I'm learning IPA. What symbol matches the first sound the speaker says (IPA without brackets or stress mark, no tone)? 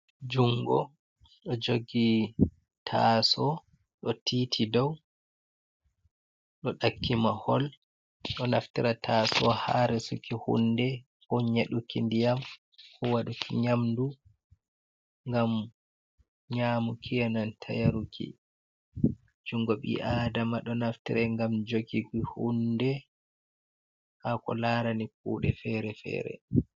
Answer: d͡ʒ